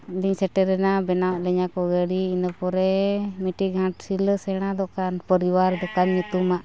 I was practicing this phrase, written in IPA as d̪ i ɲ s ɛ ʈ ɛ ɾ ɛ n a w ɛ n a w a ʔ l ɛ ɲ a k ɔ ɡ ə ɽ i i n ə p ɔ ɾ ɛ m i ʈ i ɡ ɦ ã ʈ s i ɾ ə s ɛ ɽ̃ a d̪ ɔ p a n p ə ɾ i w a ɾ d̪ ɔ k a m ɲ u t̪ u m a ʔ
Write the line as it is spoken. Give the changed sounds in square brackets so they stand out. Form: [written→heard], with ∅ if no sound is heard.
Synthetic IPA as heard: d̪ i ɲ s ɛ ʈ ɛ ɾ ɛ n a [w→b] ɛ n a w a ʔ l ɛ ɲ a k ɔ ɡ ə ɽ i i n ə p ɔ ɾ ɛ m i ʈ i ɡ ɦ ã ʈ s i [ɾ→l] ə s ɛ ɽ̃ a d̪ ɔ [p→k] a n p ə ɾ i w a ɾ d̪ ɔ k a [m→n] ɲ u t̪ u m a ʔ